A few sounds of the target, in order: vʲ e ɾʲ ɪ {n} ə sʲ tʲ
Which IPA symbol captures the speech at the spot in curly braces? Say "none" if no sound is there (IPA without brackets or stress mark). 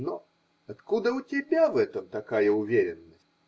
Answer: nː